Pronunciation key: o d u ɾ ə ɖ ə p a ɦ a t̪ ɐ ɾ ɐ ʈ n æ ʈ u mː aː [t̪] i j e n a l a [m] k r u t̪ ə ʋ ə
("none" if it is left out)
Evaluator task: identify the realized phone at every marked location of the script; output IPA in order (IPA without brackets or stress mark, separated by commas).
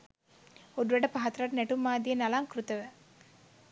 d̪, ŋ